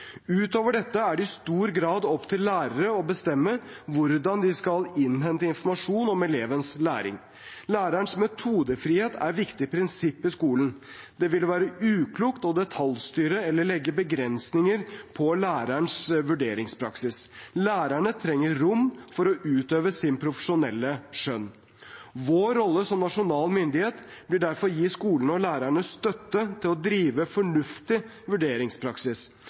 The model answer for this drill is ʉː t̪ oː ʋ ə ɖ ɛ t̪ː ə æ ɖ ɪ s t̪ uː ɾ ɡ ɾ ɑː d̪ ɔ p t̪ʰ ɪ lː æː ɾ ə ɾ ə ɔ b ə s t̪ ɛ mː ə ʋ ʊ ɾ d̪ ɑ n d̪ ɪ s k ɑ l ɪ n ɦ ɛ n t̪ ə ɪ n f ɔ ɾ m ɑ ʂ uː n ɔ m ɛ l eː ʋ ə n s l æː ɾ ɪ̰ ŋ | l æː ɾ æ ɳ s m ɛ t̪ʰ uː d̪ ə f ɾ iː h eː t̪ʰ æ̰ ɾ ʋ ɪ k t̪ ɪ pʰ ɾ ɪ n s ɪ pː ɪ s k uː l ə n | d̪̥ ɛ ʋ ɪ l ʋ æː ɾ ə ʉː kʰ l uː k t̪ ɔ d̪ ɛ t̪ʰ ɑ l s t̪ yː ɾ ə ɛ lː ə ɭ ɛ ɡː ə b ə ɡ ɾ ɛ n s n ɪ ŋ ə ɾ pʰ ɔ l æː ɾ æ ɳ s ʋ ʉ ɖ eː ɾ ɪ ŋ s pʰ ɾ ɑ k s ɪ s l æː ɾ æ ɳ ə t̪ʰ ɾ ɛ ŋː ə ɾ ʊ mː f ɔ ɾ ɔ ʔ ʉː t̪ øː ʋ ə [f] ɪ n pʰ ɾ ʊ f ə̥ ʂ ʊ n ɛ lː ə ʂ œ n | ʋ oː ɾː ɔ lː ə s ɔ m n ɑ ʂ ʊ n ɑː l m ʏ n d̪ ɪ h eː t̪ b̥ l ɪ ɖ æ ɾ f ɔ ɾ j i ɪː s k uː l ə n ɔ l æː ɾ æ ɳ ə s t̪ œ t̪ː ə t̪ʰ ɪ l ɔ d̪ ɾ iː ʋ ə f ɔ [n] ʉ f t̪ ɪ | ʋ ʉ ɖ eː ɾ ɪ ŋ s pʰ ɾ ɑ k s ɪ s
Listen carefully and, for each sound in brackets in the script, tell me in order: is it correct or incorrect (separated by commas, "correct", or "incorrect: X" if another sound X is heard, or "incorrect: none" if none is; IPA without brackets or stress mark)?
incorrect: s, incorrect: ɳ